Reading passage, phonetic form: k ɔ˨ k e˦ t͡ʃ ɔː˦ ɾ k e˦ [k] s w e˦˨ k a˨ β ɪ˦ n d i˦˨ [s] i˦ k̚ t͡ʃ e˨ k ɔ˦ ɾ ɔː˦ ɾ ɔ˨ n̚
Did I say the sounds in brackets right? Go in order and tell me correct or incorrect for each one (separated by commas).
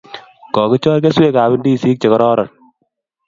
incorrect, correct